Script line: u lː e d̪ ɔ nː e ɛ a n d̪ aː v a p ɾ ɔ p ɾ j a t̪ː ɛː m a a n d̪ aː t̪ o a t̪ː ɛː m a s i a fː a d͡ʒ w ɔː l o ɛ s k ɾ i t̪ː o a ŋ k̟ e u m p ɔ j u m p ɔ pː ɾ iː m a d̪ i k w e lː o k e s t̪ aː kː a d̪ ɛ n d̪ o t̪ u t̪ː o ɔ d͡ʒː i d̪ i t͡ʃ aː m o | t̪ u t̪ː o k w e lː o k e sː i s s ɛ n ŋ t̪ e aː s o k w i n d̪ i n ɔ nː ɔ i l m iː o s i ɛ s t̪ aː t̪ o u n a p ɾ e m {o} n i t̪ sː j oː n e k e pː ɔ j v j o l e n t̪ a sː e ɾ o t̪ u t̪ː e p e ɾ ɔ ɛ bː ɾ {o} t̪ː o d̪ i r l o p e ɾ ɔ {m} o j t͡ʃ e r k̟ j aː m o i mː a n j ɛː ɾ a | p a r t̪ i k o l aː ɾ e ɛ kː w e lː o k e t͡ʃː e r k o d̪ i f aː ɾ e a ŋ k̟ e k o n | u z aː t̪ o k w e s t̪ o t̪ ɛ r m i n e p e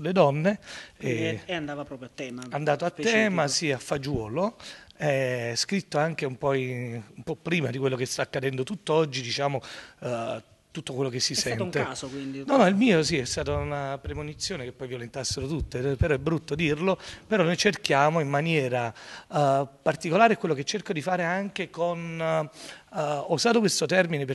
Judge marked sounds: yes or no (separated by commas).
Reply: yes, no, no